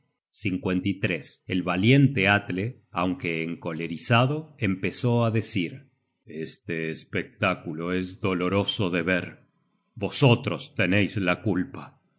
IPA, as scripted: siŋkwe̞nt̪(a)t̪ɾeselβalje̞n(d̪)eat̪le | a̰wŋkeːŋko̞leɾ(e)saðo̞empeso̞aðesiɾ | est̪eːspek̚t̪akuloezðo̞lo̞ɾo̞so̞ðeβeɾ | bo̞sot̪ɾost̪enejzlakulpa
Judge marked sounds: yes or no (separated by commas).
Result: no, no, no